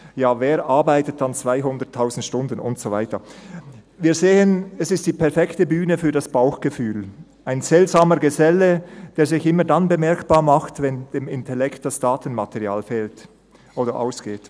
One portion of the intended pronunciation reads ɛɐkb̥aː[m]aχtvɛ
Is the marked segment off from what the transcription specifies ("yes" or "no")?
no